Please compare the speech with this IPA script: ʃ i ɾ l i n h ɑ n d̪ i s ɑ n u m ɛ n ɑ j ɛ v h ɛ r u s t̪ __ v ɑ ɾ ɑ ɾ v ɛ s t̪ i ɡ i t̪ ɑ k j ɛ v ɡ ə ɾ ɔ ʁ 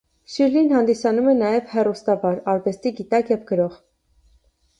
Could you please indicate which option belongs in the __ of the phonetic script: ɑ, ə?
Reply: ɑ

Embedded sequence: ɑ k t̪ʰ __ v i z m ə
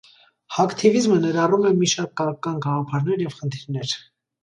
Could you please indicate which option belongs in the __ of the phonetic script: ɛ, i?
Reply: i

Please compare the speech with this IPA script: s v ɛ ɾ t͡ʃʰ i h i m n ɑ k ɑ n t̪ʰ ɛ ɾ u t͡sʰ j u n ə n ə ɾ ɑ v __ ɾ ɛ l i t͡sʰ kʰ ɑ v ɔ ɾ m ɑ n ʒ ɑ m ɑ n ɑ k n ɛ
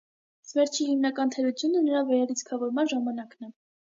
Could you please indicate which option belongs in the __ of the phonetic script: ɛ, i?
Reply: ɛ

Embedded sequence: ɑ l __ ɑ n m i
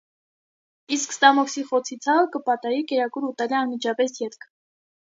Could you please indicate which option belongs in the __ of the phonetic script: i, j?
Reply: i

